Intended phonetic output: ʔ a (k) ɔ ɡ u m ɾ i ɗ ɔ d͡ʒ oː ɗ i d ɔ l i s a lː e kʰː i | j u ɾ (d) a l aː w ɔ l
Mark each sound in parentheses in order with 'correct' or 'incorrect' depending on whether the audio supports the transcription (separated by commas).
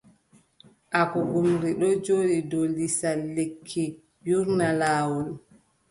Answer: correct, incorrect